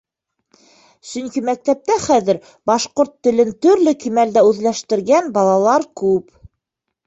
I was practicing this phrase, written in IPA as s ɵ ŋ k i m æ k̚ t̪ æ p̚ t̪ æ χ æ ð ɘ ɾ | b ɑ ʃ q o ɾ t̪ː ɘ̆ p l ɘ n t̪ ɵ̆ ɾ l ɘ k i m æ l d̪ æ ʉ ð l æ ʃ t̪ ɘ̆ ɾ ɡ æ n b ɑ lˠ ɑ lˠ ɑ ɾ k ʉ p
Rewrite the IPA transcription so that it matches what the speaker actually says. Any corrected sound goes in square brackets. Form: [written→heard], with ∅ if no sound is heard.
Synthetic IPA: s ɵ ŋ k i m æ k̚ t̪ æ p̚ t̪ æ χ æ ð ɘ ɾ | b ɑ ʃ q o ɾ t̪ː ɘ̆ [p→∅] l ɘ n t̪ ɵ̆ ɾ l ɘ k i m æ l d̪ æ ʉ ð l æ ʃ t̪ ɘ̆ ɾ ɡ æ n b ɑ lˠ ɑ lˠ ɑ ɾ k ʉ p